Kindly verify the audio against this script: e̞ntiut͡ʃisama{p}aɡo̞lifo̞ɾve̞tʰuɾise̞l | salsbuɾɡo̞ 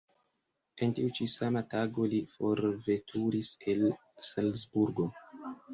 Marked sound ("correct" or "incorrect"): incorrect